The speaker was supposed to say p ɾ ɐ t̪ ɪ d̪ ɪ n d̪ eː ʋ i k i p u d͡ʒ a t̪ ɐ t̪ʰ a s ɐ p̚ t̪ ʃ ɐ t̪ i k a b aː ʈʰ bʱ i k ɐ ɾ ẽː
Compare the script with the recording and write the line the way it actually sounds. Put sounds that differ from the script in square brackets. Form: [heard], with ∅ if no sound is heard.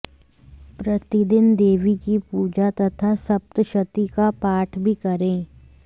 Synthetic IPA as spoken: p ɾ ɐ t̪ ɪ d̪ ɪ n d̪ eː ʋ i k i p [uː] d͡ʒ a t̪ ɐ t̪ʰ a s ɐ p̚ t̪ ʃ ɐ t̪ i k a [p] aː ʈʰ bʱ i k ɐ ɾ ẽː